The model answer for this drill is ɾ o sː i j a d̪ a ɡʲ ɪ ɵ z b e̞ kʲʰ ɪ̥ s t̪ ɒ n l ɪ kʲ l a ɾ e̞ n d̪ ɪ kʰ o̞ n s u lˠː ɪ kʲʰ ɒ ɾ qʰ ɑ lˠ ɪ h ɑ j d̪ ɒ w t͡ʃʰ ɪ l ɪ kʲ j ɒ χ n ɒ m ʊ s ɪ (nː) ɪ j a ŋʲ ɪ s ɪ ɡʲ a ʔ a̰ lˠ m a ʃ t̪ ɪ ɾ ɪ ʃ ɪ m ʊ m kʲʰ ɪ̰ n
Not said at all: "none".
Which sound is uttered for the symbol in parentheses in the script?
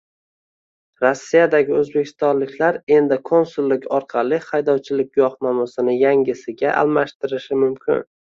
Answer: n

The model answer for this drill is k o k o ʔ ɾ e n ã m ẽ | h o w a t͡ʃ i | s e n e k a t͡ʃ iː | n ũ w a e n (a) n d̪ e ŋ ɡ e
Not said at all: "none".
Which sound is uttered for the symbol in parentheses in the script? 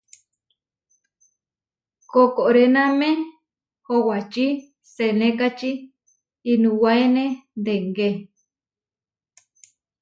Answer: e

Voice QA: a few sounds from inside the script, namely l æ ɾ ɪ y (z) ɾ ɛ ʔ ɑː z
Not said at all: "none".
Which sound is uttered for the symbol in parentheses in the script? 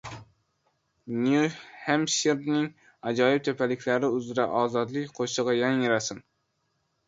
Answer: z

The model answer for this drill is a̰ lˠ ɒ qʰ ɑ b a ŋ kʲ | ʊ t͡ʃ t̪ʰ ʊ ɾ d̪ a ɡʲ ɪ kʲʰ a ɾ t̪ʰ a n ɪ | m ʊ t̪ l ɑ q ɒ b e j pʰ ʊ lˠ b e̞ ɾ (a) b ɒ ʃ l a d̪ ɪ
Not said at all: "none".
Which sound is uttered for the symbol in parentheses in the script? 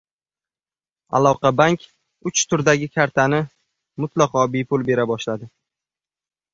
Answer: a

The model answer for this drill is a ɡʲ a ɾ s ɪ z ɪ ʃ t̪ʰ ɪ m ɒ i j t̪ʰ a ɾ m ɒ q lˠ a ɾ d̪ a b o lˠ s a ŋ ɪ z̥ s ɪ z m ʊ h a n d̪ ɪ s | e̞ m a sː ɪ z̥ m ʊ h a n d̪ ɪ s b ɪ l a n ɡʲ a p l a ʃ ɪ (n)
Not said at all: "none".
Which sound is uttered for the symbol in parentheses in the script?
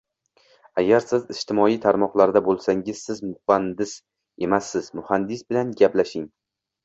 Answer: ŋ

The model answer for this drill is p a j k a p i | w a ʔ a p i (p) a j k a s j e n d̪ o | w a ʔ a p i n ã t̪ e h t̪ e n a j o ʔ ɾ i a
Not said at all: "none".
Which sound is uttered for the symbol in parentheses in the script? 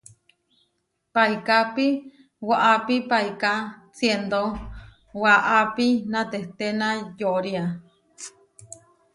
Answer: p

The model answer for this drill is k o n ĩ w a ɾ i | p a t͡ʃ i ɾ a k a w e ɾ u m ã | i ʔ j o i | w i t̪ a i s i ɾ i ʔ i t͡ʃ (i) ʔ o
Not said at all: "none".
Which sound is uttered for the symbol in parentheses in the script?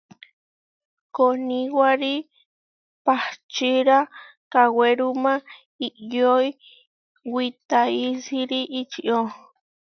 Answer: i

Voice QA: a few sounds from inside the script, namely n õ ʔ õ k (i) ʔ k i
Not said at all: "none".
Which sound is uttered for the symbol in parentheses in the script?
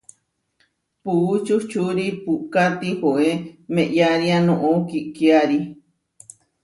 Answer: i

